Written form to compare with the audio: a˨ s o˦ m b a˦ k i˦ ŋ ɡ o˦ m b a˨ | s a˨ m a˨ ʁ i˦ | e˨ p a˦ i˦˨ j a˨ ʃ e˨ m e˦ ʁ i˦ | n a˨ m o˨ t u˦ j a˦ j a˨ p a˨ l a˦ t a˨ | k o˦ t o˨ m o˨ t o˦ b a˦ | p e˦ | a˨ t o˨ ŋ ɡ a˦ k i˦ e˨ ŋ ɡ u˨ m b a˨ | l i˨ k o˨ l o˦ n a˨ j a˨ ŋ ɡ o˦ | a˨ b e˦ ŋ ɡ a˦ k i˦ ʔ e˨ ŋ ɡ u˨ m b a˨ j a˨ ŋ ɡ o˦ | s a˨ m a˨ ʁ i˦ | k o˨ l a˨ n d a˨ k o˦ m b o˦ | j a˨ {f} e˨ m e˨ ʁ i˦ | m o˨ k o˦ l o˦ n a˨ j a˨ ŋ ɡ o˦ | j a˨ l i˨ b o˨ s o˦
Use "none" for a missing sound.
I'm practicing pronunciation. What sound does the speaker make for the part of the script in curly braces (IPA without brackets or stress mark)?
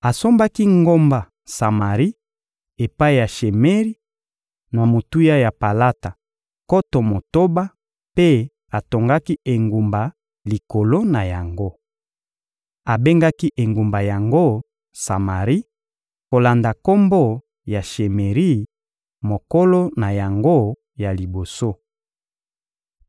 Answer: ʃ